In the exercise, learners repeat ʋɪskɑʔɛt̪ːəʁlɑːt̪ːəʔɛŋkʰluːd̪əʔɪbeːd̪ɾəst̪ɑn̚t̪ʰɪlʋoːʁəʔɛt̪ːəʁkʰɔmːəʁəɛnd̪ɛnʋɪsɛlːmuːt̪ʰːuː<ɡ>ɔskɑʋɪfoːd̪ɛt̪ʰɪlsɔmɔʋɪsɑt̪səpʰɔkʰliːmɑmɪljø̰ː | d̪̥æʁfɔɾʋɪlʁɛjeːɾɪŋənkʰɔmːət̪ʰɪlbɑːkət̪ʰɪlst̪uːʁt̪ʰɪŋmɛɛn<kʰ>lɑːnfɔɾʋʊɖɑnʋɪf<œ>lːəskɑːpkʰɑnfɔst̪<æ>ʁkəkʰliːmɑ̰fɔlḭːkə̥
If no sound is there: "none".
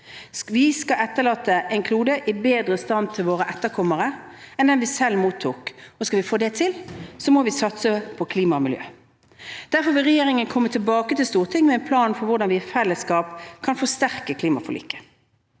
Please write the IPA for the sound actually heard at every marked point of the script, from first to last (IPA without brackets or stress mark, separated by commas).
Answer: k, pʰ, ɛ, æ